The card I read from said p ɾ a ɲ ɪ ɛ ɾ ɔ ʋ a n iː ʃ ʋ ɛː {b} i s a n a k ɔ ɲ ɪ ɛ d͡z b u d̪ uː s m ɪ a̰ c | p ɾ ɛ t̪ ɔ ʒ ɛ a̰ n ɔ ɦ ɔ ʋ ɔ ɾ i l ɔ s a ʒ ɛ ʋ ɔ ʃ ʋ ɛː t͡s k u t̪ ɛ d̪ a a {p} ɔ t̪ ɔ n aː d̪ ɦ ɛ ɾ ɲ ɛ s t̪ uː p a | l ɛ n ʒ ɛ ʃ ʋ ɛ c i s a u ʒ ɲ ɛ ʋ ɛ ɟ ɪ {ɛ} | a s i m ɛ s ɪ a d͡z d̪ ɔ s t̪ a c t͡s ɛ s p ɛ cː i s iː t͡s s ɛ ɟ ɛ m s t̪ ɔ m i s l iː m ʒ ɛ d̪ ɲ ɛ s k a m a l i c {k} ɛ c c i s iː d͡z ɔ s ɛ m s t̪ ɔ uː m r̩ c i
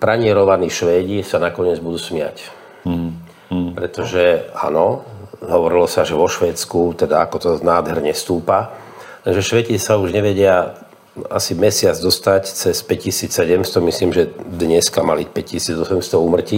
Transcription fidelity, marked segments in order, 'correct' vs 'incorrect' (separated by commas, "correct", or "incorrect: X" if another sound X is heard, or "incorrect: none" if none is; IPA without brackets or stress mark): incorrect: ɟ, incorrect: k, incorrect: a, incorrect: p